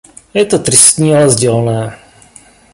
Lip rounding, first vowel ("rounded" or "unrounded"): unrounded